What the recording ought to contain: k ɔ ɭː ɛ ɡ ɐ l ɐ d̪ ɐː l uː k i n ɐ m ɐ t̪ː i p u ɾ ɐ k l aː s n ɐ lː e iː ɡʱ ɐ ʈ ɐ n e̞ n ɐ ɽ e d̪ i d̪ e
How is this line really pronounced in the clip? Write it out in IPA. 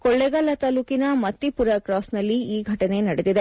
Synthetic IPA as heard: k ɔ ɭː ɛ ɡ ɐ l ɐ t̪ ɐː l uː k i n ɐ m ɐ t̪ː i p u ɾ ɐ k ɾ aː s n ɐ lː i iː ɡʱ ɐ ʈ ɐ n e̞ n ɐ ɽ e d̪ i d̪ e